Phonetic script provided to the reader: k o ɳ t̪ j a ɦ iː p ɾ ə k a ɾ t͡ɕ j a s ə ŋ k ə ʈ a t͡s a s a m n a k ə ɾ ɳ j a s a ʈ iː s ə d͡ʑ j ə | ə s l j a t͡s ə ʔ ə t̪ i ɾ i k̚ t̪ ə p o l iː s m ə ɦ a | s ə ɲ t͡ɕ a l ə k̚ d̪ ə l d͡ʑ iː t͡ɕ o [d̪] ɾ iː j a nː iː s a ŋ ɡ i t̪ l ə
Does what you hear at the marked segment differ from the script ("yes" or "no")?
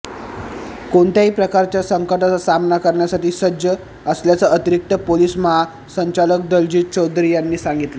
no